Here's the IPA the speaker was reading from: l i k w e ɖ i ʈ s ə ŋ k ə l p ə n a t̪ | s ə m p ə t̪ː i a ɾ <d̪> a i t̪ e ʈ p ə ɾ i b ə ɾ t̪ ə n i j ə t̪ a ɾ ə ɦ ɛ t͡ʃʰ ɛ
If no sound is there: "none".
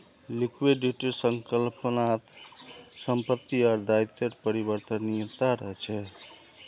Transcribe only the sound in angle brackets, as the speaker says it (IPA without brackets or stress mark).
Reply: d̪